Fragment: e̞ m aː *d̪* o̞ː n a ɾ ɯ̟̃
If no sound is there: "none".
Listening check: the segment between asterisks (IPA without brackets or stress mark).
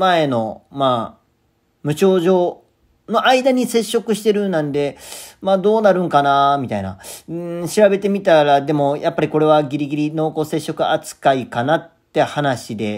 d̪